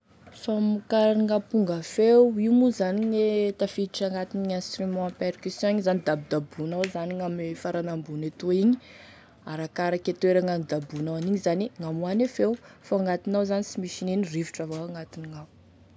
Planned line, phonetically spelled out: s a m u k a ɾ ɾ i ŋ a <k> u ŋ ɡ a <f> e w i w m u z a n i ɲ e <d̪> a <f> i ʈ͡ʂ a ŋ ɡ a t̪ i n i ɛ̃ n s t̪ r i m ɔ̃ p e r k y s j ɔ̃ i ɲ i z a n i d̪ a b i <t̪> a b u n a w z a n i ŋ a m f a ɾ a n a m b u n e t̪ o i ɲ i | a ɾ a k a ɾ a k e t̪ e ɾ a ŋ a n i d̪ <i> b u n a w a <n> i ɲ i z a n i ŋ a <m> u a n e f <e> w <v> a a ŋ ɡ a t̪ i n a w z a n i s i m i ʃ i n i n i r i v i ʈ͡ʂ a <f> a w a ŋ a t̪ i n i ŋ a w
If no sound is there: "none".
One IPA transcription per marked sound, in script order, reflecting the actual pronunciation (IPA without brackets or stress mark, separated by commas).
p, f, t̪, f, d̪, a, n, m, e, f, v